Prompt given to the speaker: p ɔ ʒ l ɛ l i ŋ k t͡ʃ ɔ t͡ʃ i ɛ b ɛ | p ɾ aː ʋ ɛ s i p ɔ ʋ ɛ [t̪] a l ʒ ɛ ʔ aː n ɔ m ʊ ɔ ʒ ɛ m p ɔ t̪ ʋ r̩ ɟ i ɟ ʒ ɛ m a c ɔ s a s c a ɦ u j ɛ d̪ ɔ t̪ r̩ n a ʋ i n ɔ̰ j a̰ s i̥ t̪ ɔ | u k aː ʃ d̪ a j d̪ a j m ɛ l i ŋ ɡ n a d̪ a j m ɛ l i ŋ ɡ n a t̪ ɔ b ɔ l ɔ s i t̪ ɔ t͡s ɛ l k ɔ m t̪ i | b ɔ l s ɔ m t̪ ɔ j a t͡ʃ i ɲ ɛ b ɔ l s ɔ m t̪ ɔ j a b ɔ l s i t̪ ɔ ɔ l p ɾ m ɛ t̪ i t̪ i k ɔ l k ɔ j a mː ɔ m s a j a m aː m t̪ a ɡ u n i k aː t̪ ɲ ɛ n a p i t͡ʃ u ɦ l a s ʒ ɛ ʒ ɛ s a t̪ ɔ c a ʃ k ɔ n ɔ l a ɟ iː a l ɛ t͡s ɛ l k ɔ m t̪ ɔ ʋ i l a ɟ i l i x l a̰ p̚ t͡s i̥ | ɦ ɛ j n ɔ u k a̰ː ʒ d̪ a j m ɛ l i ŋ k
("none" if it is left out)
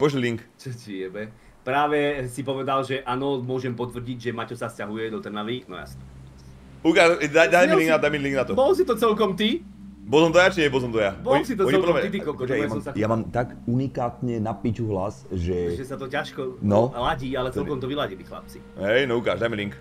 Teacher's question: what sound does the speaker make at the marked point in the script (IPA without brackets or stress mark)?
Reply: d̪